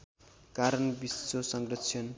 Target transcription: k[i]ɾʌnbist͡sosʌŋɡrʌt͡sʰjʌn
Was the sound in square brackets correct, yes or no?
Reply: no